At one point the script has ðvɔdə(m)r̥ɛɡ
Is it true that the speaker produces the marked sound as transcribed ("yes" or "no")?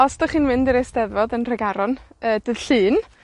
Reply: no